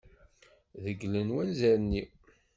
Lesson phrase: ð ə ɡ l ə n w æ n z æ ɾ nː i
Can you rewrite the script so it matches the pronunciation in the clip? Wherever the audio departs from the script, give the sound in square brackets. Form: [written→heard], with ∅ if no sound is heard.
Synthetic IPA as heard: ð ə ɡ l ə n w æ n z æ ɾ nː i